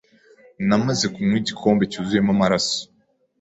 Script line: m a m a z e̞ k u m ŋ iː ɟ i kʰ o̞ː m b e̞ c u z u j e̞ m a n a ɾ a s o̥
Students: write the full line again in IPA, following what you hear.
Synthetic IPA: n a m a z e̞ k u m ŋ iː ɟ i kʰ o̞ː m b e̞ c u z u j e̞ m a m a ɾ a s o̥

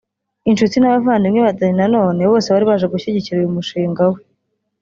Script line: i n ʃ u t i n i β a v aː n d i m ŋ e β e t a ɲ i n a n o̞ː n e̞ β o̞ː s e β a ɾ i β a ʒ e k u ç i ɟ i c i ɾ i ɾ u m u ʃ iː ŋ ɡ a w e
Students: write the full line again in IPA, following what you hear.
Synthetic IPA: i n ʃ u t i n a β a v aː n d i m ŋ e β a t a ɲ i n a n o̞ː n e̞ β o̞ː s e β a ɾ i β a ʒ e ɡ u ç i ɟ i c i ɾ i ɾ u m u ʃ iː ŋ ɡ a w e

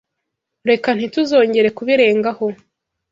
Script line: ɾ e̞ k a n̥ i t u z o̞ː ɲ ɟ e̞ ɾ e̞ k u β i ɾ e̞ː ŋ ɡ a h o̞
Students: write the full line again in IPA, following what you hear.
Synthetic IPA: ɾ e̞ k a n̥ i t u z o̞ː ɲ ɟ e̞ ɾ e̞ k u β i ɾ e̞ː ŋ ɡ a h o̞

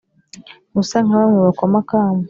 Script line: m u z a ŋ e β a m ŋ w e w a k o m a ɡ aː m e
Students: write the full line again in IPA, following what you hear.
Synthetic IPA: m u s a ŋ a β a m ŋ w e β a k o m a k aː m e

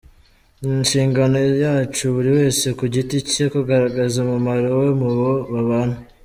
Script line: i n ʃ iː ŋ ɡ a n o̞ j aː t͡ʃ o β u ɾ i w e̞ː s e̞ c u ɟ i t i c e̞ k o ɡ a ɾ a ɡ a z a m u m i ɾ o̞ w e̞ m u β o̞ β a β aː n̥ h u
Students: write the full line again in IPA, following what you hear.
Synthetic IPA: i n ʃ iː ŋ ɡ a n o̞ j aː t͡ʃ u β u ɾ i w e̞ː s e̞ k u ɟ i t i c e̞ k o ɡ a ɾ a ɡ a z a m u m a ɾ o̞ w e̞ m u β o̞ β a β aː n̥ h u

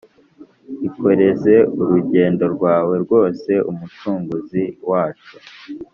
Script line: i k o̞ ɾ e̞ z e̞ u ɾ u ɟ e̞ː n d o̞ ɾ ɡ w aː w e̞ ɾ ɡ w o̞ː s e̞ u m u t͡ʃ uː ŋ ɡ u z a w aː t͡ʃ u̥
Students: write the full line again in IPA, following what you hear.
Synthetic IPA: i k o̞ ɾ e̞ z e̞ u ɾ u ɟ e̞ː n d o̞ ɾ ɡ w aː w e̞ ɾ ɡ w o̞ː s e̞ u m u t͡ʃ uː ŋ ɡ u z i w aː t͡ʃ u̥

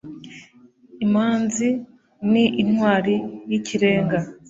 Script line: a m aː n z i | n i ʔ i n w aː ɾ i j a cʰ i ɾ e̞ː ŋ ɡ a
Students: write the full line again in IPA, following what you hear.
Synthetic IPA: i m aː n z i | n i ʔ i n w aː ɾ i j i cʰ i ɾ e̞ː ŋ ɡ a

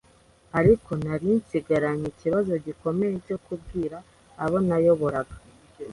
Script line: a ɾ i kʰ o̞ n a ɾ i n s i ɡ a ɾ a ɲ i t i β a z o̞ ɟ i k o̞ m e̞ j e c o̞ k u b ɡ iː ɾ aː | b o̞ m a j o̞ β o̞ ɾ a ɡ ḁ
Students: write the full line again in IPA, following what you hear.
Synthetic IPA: a ɾ i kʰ o̞ n a ɾ i n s i ɡ a ɾ a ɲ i c i β a z o̞ ɟ i k o̞ m e̞ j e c o̞ k u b ɡ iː ɾ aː | β o̞ n a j o̞ β o̞ ɾ a ɡ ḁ

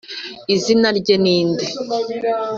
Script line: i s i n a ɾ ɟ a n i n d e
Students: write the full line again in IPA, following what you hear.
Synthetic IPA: i z i n a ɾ ɟ e n iː n d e

